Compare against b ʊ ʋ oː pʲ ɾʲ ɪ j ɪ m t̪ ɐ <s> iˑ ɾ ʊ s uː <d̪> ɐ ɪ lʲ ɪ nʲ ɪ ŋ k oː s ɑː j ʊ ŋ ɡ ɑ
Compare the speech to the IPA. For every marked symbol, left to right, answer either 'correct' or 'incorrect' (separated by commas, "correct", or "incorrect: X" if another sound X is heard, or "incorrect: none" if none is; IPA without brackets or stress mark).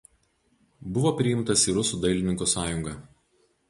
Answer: correct, correct